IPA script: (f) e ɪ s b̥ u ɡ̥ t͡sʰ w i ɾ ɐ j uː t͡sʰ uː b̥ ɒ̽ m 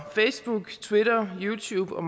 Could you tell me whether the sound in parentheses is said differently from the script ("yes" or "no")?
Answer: no